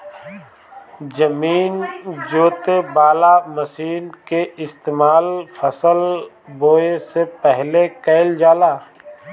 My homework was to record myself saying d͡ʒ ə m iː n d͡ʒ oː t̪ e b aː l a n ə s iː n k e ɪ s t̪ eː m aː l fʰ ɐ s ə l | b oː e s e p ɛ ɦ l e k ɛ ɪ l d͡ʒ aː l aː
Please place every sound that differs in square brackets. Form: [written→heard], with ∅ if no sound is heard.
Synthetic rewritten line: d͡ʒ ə m iː n d͡ʒ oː t̪ e b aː l a [n→m] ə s iː n k e ɪ s t̪ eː m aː l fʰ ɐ s ə l | b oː e s e p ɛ ɦ l e k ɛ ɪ l d͡ʒ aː l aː